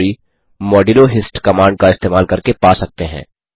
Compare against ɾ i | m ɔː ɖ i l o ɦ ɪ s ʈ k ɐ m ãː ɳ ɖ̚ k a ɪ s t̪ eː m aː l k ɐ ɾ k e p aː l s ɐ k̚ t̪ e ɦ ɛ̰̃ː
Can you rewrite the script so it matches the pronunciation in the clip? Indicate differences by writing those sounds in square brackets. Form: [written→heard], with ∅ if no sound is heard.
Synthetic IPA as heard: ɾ i | m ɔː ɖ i l o ɦ ɪ s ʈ k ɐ m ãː ɳ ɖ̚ k a ɪ s t̪ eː m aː l k ɐ ɾ k e p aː [l→∅] s ɐ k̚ t̪ e ɦ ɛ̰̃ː